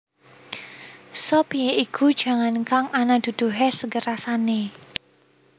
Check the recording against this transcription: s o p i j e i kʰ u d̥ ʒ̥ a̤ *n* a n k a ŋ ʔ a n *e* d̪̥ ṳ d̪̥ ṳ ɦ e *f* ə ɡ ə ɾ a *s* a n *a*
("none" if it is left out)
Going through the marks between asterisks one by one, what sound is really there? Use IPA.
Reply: ŋ, a, s, s, e

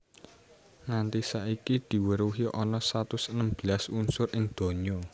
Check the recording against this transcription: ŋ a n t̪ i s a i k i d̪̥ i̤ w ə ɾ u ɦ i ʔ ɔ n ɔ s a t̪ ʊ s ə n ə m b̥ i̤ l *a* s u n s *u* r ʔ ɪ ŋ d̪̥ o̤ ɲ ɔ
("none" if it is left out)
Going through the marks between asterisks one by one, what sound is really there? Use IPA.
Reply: a, ʊ

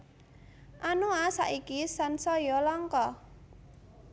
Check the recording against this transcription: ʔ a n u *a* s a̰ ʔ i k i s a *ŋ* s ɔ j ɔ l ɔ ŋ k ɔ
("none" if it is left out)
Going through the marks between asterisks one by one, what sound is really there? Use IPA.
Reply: a, n

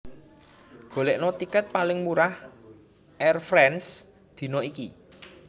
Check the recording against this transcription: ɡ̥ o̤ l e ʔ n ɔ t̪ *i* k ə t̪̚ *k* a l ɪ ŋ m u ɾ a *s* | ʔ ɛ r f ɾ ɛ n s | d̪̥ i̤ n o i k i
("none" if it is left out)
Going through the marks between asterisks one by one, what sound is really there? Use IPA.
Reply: i, p, h

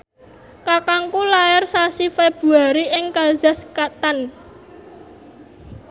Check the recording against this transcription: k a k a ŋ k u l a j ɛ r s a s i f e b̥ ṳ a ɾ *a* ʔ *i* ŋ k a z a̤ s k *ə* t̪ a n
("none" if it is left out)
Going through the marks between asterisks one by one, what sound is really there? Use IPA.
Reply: i, ɪ, a

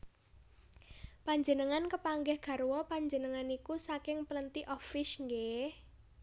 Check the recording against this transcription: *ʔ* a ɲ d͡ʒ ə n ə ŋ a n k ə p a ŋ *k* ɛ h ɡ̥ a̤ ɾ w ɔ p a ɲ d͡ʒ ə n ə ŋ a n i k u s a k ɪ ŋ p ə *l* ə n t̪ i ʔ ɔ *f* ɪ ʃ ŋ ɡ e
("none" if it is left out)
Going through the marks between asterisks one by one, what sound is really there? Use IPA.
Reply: p, ɡ, l, f

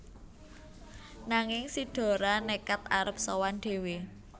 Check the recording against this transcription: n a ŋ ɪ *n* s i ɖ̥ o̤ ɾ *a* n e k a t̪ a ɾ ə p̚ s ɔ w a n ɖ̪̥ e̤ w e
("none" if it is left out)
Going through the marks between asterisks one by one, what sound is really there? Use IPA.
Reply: ŋ, a

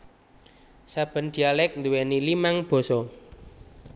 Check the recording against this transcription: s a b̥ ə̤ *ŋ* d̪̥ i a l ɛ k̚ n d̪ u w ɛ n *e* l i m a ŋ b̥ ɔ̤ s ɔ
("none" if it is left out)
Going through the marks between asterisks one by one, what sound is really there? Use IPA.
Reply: n, i

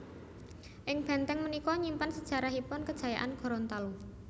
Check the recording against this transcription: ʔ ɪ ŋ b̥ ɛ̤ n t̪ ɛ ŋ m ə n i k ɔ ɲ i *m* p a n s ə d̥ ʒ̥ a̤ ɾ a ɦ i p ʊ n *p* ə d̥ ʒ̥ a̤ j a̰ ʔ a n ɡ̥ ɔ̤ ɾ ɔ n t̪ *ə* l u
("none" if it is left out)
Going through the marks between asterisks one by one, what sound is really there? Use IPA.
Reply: m, k, a

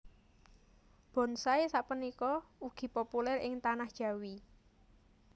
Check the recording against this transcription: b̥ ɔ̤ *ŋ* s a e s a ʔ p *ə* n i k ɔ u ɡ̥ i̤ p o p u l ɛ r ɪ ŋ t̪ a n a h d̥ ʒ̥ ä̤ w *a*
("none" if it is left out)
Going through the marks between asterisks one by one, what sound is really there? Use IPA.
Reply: n, ə, i

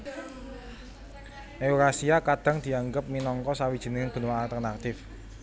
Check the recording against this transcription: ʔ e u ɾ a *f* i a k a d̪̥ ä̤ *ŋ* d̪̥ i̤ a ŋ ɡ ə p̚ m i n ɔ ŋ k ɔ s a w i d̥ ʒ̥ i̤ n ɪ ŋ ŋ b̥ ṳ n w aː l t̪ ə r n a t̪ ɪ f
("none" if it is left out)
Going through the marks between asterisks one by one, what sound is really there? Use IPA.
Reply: s, ŋ

